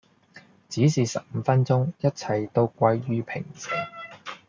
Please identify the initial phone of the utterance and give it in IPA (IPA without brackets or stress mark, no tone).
t͡s